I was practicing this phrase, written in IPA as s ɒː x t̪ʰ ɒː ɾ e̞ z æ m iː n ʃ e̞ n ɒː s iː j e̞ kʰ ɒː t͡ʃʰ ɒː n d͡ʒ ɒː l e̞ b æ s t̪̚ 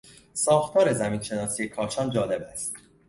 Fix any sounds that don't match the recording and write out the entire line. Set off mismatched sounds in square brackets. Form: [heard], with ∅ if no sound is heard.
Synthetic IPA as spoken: s ɒː x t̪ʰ ɒː ɾ e̞ z æ m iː n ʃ e̞ n ɒː s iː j e̞ kʰ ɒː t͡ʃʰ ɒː n d͡ʒ ɒː l e̞ b æ s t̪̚